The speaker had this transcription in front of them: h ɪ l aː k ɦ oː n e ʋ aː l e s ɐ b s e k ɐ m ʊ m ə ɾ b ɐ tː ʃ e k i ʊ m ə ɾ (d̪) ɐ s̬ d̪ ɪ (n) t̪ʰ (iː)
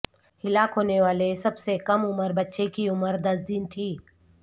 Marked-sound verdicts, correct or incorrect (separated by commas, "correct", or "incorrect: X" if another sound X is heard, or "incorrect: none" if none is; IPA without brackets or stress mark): correct, correct, correct